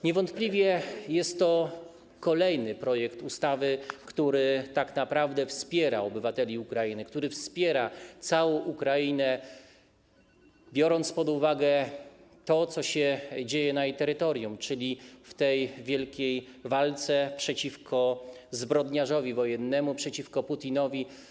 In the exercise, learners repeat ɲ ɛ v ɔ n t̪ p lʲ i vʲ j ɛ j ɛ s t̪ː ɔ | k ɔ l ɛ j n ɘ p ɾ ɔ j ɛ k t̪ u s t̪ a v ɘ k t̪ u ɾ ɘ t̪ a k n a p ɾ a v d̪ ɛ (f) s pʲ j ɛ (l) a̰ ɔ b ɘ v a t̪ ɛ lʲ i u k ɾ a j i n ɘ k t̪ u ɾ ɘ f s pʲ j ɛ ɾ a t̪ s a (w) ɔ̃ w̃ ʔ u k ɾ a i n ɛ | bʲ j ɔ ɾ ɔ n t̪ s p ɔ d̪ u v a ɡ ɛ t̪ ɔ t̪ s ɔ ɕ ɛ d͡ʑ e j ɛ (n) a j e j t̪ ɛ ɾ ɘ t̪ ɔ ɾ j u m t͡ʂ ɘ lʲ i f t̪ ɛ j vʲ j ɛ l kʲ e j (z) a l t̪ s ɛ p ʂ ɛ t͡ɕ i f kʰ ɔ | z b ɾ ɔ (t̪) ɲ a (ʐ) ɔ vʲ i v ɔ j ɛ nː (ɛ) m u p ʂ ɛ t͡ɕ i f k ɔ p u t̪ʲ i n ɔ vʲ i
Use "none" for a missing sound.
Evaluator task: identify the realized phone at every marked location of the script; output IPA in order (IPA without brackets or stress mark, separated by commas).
f, ɾ, w, n, v, d̪, ʐ, ɛ